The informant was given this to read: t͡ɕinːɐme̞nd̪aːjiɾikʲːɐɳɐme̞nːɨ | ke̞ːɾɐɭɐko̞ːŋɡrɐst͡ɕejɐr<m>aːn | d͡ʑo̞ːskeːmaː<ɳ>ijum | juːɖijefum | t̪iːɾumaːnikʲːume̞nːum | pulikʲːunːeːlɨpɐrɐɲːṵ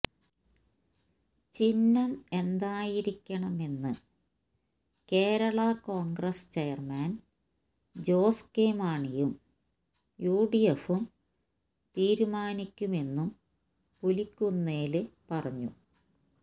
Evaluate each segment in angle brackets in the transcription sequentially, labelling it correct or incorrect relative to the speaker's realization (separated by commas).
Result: correct, correct